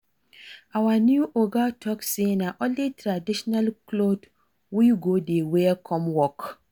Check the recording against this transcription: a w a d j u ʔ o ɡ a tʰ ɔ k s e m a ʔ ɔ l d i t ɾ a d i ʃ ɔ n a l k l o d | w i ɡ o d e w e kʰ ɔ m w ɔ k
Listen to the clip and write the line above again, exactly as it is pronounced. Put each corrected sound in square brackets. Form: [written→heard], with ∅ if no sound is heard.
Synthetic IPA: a w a [d→n] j u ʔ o ɡ a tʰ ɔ k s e [m→n] a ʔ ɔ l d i t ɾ a d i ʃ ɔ n a l k l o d | w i ɡ o d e w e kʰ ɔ m w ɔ k